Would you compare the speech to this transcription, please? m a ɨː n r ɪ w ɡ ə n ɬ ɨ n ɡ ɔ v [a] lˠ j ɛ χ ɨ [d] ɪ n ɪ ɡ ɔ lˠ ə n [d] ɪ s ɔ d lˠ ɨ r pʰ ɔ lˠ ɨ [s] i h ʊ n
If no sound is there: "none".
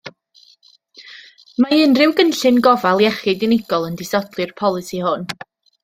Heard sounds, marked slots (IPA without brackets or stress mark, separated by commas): a, d, d, s